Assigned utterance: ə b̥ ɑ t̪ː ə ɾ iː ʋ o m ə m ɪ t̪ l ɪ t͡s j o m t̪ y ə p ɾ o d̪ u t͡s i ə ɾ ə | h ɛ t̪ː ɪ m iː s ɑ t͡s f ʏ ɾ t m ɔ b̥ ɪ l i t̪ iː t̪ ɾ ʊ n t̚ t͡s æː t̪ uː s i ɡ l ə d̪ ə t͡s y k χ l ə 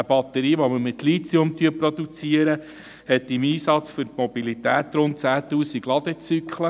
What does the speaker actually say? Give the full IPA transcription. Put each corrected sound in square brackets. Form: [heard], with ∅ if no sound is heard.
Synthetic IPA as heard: ə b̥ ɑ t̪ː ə ɾ iː ʋ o m ə m ɪ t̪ l [i] t͡s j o m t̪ y ə p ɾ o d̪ u t͡s i ə ɾ ə | h ɛ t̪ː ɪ m iː s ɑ t͡s f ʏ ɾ t m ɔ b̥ [i] l i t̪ [æː] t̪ ɾ ʊ n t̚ t͡s æː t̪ uː s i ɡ l [ɑ] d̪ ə t͡s y k χ l ə